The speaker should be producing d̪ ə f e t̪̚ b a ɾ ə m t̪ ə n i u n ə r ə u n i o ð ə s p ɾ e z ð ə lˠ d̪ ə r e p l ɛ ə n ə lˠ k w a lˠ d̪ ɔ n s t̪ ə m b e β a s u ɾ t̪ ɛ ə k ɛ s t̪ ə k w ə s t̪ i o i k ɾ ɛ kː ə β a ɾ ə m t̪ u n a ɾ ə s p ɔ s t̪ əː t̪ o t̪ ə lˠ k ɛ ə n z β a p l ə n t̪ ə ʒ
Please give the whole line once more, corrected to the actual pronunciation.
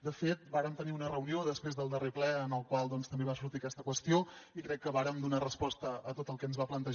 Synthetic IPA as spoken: d̪ ə f e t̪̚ b a ɾ ə m t̪ ə n i u n ə r ə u n i o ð ə s p ɾ e z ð ə lˠ d̪ ə r e p l ɛ ə n ə lˠ k w a lˠ d̪ ɔ n s t̪ ə m b e β a s u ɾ t̪ i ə k ɛ s t̪ ə k w ə s t̪ i o i k ɾ ɛ kː ə β a ɾ ə m d̪ u n a r ə s p ɔ s t̪ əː t̪ o t̪ ə lˠ k ɛ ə n z β a p l ə n t̪ ə ʒ

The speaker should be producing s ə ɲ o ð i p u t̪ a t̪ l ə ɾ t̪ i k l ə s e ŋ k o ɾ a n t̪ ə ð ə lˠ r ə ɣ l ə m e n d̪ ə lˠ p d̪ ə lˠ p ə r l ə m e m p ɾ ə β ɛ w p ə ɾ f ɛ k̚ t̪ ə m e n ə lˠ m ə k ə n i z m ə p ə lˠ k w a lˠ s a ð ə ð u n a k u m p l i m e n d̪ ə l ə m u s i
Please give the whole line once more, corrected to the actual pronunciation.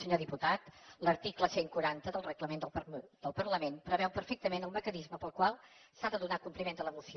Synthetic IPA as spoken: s ə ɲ o ð i p u t̪ a t̪ l ə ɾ t̪ i k l ə s e ŋ k u ɾ a n t̪ ə ð ə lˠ r ə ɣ l ə m e n d̪ ə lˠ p d̪ ə lˠ p ə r l ə m e n p ɾ ə β ɛ w p ə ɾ f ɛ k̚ t̪ ə m e n ə lˠ m ə k ə n i z m ə p ə lˠ k w a lˠ s a ð ə ð u n a k u m p l i m e n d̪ ə l ə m u s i

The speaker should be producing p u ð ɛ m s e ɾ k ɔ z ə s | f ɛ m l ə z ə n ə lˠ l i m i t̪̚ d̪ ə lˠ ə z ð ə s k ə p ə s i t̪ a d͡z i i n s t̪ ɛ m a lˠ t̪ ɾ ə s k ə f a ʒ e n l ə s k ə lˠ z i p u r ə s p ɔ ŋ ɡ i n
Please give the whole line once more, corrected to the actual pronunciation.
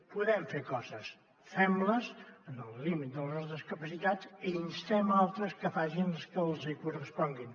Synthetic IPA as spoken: p u ð ɛ m f e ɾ k ɔ z ə s | f ɛ m l ə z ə n ə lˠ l i m i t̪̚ d̪ ə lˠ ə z ð ə s k ə p ə s i t̪ a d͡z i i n s t̪ ɛ m a lˠ t̪ ɾ ə s k ə f a ʒ i n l ə s k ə lˠ z i k u r ə s p ɔ ŋ ɡ i n

